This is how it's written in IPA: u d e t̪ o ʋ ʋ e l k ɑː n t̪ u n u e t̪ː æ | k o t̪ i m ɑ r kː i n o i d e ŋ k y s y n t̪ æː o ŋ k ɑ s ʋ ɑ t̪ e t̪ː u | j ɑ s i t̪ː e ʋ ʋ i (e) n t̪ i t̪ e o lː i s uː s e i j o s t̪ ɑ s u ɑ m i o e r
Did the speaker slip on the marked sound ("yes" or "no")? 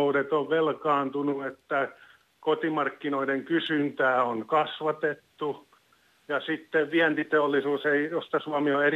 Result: yes